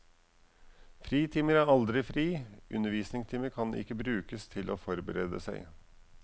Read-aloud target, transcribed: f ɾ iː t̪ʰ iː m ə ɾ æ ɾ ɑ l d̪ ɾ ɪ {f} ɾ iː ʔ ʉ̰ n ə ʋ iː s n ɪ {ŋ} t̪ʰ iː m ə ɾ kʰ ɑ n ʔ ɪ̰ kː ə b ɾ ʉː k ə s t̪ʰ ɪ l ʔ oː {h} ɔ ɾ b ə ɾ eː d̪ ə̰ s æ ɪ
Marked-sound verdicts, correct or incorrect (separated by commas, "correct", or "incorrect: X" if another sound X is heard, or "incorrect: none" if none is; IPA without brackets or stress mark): correct, correct, incorrect: f